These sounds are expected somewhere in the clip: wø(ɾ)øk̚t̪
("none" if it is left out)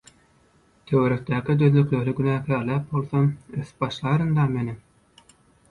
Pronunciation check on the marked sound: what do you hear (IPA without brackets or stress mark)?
ɾ